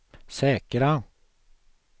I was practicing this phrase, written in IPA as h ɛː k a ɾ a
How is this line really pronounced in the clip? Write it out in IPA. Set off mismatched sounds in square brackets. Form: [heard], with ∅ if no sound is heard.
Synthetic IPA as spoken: [s] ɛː k [ə] ɾ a